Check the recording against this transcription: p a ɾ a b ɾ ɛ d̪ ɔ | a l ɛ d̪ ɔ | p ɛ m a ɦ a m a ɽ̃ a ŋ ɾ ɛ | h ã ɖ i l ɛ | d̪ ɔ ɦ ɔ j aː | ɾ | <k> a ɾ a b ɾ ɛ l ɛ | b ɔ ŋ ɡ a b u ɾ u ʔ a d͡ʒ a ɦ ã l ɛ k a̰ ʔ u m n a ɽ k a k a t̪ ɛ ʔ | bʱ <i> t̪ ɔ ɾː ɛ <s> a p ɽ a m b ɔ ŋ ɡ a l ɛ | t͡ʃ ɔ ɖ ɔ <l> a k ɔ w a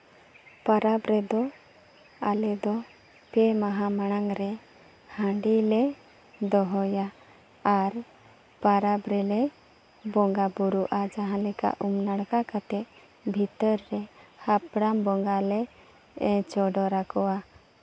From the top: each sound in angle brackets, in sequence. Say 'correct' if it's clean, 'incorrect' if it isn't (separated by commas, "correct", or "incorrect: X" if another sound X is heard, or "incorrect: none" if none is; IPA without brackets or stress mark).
incorrect: p, correct, incorrect: h, incorrect: ɾ